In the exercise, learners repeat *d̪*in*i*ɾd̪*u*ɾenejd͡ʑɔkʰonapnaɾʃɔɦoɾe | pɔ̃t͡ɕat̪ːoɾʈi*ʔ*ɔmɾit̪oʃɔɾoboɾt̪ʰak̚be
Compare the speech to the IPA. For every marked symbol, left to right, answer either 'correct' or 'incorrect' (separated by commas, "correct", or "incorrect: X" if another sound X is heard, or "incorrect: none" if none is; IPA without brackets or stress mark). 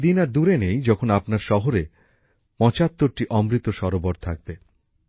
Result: correct, incorrect: a, correct, correct